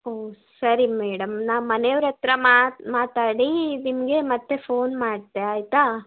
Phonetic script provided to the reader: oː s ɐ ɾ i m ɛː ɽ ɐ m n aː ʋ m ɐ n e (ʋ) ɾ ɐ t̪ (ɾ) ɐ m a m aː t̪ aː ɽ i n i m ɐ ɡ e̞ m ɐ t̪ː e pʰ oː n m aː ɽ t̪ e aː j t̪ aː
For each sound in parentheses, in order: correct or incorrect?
correct, correct

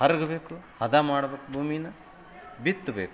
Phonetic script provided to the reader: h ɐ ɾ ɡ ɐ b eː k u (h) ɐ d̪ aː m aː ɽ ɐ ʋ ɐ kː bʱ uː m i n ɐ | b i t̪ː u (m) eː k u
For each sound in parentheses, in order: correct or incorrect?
correct, incorrect: b

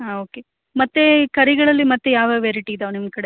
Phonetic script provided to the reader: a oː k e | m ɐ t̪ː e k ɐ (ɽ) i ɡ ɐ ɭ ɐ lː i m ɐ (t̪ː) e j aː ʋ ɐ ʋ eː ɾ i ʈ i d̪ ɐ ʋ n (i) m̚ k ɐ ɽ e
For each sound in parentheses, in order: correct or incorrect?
incorrect: ɾ, correct, correct

